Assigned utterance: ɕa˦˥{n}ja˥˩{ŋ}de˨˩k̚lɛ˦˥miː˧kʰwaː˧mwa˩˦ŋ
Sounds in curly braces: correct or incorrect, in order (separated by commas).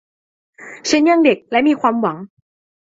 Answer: correct, correct